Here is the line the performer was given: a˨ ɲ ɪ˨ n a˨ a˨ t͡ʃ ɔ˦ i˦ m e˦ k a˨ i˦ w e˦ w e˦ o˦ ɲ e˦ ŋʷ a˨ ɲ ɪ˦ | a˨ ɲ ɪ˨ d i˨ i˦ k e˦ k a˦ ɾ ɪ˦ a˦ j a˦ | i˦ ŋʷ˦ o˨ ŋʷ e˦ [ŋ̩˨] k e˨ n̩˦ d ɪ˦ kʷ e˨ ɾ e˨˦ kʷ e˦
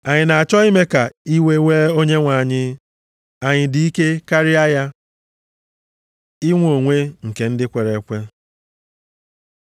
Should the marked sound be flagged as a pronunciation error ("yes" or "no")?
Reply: no